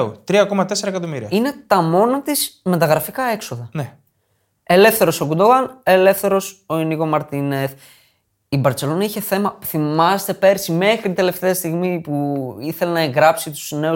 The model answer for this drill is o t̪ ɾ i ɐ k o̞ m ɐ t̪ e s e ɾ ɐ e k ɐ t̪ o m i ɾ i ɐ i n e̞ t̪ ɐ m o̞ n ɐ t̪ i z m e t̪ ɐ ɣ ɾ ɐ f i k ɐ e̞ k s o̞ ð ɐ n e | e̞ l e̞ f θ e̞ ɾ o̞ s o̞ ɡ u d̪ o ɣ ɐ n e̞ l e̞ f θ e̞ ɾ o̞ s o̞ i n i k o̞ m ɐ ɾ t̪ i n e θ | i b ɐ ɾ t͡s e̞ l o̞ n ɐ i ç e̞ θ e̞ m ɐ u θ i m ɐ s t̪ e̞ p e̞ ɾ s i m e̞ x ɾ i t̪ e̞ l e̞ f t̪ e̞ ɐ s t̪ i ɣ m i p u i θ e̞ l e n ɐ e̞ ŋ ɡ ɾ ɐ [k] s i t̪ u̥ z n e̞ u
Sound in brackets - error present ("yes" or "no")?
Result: yes